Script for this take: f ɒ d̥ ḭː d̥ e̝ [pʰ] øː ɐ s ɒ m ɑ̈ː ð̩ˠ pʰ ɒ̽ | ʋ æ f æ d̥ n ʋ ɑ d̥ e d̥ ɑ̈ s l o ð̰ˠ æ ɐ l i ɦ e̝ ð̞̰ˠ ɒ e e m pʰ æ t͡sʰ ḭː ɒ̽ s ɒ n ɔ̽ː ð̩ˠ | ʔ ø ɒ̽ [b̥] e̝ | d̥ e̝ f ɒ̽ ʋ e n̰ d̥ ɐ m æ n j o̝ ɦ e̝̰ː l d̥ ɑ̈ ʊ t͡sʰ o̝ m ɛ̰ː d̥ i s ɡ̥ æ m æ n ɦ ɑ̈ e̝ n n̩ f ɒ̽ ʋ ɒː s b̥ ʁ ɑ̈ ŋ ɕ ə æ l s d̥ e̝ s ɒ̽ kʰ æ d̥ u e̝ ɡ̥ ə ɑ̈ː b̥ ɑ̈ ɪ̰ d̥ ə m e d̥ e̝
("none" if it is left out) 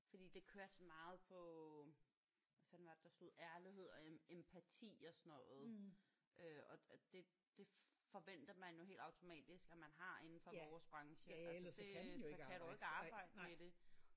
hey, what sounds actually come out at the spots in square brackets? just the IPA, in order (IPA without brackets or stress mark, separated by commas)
kʰ, d̥